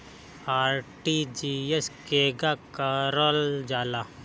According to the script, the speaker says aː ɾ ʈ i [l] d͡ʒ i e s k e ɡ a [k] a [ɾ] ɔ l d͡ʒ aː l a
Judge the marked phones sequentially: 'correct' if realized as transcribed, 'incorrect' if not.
incorrect, correct, correct

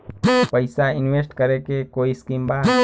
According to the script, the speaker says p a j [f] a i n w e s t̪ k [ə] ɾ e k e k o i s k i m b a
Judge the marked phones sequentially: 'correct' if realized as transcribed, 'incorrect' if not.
incorrect, incorrect

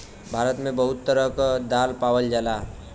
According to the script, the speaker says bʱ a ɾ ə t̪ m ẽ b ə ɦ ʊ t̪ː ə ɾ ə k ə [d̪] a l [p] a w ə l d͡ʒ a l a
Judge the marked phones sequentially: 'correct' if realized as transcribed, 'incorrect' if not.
correct, correct

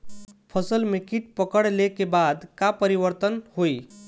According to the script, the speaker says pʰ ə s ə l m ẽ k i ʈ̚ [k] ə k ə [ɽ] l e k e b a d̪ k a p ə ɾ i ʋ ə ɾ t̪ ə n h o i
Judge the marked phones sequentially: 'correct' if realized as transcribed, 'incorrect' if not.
incorrect, correct

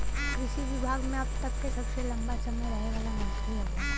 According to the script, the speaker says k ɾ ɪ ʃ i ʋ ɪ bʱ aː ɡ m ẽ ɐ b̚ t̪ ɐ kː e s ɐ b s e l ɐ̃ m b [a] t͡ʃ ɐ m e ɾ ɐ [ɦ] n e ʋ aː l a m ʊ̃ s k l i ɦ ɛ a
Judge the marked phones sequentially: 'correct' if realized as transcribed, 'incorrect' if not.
correct, correct

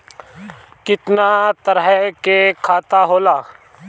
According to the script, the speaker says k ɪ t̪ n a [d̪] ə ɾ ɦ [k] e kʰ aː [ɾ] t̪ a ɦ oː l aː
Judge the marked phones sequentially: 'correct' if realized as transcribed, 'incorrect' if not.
incorrect, correct, incorrect

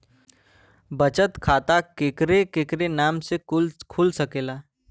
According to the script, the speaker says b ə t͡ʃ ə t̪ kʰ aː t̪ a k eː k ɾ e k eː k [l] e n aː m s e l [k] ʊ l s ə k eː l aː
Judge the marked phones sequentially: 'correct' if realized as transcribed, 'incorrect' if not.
incorrect, incorrect

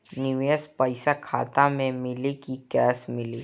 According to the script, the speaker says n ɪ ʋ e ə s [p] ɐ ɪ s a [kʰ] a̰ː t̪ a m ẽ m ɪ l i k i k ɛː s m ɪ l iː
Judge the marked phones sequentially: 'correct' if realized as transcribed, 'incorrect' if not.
correct, correct

